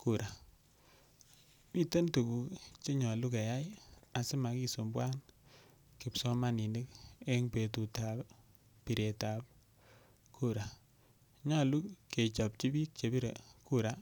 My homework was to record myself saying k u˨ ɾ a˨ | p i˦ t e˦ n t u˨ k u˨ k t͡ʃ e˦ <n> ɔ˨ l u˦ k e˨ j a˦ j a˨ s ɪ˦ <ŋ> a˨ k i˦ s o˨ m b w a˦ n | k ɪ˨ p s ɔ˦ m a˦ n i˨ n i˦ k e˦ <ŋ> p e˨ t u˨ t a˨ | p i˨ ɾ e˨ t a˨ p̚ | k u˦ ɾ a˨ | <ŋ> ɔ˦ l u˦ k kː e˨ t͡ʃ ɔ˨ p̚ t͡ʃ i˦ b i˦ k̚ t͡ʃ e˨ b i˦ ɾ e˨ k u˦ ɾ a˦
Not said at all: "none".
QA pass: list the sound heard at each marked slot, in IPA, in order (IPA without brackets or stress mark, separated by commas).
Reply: ɲ, m, ŋ, ɲ